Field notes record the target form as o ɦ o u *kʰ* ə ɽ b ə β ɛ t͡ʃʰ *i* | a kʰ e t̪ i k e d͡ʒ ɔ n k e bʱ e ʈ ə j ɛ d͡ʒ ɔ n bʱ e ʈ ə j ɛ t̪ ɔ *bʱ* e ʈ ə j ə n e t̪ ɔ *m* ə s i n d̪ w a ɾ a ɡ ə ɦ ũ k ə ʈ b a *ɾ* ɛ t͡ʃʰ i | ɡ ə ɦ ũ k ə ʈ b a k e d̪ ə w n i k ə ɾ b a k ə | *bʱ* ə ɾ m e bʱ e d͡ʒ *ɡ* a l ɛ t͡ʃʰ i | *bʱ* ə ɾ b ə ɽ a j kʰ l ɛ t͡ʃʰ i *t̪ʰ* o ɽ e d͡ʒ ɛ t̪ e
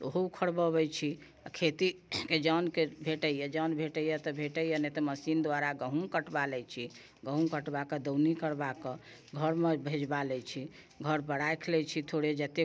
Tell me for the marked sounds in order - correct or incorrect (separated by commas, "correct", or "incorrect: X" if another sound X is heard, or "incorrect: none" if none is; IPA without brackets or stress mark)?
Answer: correct, correct, correct, correct, incorrect: l, incorrect: ɡʱ, incorrect: b, incorrect: ɡʱ, correct